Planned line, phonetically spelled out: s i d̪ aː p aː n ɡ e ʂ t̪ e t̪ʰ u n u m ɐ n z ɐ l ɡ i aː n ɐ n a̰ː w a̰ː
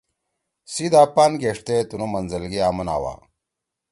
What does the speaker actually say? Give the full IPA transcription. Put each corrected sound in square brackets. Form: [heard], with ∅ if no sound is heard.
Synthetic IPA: s i d̪ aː p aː n ɡ e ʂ t̪ e [t̪] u n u m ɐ n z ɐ l ɡ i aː [m] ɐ n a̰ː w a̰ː